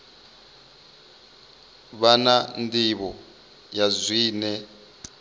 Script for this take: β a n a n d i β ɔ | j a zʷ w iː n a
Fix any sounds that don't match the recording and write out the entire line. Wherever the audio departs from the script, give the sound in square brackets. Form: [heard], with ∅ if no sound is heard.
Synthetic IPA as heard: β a n a n d i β ɔ | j a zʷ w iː n [ɛ]